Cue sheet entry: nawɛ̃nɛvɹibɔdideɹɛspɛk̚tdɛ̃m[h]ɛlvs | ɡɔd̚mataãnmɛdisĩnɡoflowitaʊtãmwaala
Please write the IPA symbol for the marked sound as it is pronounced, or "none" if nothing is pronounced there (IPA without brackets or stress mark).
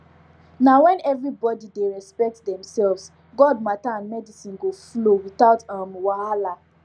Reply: s